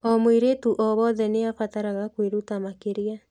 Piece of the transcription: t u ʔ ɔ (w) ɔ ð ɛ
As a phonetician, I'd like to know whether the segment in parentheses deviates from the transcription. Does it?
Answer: yes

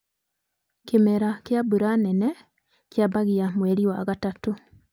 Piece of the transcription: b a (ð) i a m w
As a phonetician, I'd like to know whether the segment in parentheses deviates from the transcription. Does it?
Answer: yes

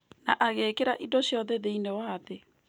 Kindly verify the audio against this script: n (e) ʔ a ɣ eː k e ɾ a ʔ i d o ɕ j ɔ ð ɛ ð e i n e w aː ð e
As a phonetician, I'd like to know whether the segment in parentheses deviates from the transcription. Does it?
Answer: yes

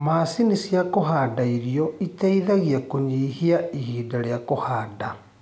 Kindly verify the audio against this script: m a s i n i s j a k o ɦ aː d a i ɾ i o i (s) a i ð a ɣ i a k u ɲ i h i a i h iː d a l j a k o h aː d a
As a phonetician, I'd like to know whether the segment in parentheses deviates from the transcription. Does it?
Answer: yes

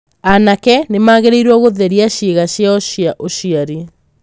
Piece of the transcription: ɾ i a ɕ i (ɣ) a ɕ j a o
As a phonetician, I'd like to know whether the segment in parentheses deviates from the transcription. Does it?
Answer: no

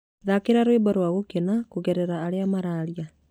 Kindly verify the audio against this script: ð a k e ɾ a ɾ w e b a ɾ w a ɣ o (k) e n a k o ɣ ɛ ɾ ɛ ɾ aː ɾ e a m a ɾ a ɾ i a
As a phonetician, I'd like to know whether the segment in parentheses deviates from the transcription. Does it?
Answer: no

